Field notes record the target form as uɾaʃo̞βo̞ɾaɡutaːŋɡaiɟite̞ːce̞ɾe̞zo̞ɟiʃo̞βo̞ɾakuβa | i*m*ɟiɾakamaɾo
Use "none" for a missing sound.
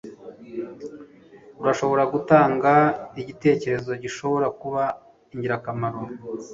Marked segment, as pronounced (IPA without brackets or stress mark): ɲ